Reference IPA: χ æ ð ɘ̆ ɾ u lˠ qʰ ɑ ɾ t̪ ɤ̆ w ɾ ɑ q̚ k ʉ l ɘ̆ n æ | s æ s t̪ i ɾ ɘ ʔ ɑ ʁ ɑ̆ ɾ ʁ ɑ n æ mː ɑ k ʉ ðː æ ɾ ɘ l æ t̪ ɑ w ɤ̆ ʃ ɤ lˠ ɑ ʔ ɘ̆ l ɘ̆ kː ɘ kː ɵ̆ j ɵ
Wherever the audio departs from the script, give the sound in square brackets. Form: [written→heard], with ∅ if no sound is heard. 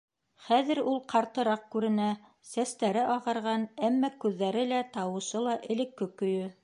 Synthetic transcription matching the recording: χ æ ð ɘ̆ ɾ u lˠ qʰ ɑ ɾ t̪ ɤ̆ [w→∅] ɾ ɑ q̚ k ʉ [l→ɾ] ɘ̆ n æ | s æ s t̪ [i→æ] ɾ ɘ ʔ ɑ ʁ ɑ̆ ɾ ʁ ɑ n æ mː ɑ k ʉ ðː æ ɾ ɘ l æ t̪ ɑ w ɤ̆ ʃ ɤ lˠ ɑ ʔ ɘ̆ l ɘ̆ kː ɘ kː ɵ̆ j ɵ